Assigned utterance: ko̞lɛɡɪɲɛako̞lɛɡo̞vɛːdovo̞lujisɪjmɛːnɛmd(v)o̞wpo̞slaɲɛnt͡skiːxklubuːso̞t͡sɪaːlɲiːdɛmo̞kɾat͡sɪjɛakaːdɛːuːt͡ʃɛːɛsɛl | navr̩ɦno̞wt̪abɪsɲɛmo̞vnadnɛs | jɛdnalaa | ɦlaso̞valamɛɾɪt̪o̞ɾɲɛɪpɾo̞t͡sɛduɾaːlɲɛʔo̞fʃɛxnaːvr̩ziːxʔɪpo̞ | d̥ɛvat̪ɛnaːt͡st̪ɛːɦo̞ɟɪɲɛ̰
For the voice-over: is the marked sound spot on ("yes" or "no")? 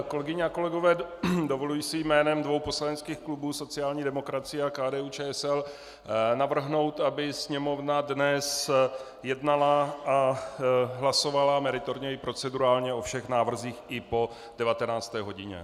yes